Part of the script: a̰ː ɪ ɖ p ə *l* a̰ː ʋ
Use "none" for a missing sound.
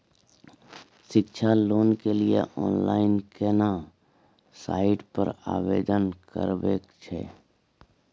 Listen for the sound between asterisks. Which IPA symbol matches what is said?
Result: ɾ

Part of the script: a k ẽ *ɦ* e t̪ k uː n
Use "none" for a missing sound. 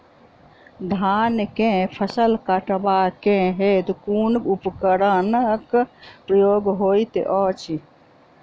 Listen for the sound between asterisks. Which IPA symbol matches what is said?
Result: ɦ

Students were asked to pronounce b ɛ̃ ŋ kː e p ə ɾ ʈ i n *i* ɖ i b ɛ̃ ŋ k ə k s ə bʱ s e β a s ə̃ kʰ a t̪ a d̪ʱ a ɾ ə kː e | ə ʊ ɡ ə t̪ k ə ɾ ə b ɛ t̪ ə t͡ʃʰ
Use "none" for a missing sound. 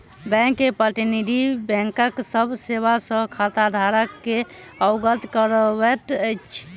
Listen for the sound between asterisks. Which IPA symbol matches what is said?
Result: i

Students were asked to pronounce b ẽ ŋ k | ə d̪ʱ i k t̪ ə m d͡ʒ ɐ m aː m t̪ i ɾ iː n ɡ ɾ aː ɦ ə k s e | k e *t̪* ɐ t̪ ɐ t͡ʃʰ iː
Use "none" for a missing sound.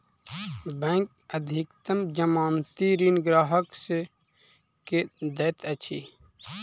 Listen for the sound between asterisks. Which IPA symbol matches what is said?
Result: d̪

